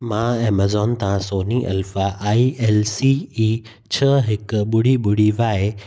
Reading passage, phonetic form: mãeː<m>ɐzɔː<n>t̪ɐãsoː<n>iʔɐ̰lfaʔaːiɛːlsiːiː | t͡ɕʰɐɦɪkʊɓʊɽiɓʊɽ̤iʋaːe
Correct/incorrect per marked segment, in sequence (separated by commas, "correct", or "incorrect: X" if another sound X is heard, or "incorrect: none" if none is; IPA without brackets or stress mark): correct, correct, correct